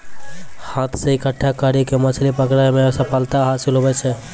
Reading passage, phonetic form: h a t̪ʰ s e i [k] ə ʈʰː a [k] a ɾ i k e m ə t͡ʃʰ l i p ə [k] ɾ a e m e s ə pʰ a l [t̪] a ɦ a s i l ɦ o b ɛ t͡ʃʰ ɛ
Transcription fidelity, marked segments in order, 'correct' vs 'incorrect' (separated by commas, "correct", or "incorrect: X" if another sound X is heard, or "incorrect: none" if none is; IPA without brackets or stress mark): correct, correct, correct, correct